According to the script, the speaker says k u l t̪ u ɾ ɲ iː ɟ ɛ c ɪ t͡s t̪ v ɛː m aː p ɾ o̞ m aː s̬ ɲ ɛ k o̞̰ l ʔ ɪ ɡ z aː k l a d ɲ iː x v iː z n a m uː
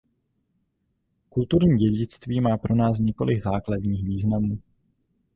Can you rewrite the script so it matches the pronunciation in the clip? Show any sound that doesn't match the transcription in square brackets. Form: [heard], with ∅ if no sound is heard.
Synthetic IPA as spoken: k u l t̪ u ɾ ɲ iː ɟ ɛ [ɟ] ɪ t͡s t̪ v [iː] m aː p ɾ o̞ [n] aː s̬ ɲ ɛ k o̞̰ l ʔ ɪ ɡ z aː k l a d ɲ iː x v iː z n a m uː